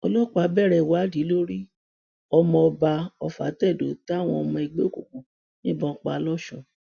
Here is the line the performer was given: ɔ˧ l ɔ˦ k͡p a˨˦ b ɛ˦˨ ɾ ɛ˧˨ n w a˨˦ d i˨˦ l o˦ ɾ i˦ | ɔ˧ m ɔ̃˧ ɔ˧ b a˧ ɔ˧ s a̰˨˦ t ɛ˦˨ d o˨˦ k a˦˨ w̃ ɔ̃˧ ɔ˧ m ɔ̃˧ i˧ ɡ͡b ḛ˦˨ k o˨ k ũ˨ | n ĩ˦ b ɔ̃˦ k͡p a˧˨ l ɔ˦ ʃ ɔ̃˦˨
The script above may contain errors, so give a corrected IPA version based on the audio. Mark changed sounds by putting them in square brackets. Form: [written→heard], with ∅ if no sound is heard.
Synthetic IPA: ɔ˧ l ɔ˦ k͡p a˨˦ b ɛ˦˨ ɾ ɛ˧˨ [n→∅] w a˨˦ d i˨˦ l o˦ ɾ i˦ | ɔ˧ m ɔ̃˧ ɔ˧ b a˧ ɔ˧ [s→f] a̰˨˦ t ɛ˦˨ d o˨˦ [k→t] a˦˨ w̃ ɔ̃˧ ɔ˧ m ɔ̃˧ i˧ ɡ͡b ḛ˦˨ k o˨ k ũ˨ | n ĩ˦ b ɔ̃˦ k͡p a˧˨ l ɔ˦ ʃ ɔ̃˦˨

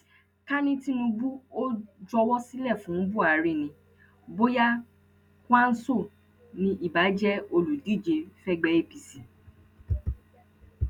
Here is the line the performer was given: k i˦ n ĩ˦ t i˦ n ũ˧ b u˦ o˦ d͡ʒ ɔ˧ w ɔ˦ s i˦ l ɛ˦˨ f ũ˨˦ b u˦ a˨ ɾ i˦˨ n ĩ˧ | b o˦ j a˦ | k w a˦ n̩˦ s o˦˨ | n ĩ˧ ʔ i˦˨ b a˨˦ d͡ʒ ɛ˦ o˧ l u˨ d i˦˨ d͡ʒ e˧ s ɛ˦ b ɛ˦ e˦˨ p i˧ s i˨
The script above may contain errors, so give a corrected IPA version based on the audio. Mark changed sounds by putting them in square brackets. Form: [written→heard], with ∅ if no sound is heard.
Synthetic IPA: k [i˦→a˦] n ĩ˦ t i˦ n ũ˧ b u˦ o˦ d͡ʒ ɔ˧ w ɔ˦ s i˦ l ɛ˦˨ f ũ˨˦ b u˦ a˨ ɾ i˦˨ n ĩ˧ | b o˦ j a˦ | k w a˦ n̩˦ s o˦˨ | n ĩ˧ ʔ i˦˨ b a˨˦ d͡ʒ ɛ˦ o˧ l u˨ d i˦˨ d͡ʒ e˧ [s→f] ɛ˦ [b→ɡ͡b] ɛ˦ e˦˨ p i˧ s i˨

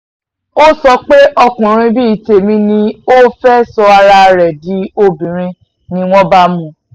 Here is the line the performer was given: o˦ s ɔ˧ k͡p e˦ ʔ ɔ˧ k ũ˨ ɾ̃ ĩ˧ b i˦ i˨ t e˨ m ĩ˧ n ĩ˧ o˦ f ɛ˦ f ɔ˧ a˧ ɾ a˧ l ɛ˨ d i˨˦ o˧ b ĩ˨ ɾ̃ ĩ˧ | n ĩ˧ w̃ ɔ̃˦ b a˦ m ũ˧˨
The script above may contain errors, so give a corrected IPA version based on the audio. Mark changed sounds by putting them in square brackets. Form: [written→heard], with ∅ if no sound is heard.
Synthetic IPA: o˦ s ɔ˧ k͡p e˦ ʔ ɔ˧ k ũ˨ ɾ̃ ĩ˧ b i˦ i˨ t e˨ m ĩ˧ n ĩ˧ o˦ f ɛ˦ [f→s] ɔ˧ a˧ ɾ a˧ [l→ɾ] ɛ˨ d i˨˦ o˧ b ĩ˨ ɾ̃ ĩ˧ | n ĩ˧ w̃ ɔ̃˦ b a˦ m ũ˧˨

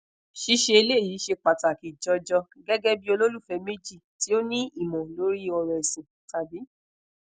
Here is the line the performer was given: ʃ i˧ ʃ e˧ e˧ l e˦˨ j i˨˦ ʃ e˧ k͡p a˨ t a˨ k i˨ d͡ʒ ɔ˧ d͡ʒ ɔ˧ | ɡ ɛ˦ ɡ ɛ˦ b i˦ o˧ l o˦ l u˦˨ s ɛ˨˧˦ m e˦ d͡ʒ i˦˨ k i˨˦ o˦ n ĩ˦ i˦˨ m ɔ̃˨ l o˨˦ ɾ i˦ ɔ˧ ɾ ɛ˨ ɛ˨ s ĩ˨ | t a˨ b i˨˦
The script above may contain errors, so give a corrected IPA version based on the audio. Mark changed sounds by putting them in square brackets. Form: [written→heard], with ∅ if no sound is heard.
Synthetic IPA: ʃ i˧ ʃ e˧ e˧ l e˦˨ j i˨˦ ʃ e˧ k͡p a˨ t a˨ k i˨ d͡ʒ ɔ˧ d͡ʒ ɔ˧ | ɡ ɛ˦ ɡ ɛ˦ b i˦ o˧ l o˦ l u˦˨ [s→f] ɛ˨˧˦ m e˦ d͡ʒ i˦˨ [k→t] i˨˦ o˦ n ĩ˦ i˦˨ m ɔ̃˨ l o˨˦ ɾ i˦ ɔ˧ ɾ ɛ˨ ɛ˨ s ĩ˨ | t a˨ b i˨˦

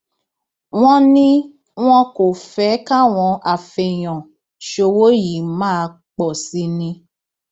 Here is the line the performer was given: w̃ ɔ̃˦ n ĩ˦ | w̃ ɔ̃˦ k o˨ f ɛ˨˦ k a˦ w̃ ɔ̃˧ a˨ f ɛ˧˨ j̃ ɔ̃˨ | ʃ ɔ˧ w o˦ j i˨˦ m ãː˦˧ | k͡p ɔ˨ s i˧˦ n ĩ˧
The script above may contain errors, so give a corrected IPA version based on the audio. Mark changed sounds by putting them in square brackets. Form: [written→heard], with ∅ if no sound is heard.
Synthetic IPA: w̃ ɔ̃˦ n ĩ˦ | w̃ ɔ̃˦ k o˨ f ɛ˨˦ k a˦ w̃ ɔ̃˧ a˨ f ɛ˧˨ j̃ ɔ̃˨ | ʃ [ɔ˧→o˧] w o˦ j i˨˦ m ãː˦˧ | k͡p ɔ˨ s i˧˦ n ĩ˧

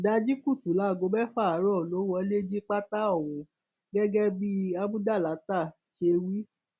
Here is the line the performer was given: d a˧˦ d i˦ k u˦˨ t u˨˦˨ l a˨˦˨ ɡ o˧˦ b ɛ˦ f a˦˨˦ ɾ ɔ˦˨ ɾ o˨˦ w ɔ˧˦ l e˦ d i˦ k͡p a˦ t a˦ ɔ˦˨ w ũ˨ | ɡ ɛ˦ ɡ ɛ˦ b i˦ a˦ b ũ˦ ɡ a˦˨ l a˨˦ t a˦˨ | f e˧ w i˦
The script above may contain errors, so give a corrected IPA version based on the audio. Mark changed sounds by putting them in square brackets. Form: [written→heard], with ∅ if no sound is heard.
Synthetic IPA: d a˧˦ [d→d͡ʒ] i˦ k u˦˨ t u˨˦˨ l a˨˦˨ ɡ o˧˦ b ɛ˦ f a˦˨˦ ɾ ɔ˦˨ [ɾ→l] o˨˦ w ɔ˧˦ l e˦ [d→d͡ʒ] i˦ k͡p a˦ t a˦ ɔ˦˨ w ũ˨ | ɡ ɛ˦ ɡ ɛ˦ b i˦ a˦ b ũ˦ [ɡ→d] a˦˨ l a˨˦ t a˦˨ | [f→ʃ] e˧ w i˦

